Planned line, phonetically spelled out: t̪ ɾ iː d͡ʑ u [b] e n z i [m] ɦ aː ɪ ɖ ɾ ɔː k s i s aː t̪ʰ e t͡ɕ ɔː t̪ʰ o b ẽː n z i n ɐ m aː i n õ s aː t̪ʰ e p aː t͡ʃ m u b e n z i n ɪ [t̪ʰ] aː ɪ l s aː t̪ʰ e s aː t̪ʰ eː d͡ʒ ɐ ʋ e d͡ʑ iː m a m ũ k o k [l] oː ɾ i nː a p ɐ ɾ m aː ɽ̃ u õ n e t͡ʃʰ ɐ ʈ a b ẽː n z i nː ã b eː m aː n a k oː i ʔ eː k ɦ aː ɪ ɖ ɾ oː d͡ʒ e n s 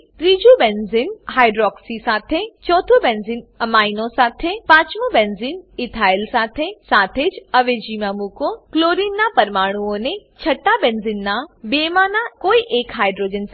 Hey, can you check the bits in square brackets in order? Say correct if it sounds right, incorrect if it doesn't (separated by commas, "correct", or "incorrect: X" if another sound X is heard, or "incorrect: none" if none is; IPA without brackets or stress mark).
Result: correct, incorrect: n, correct, correct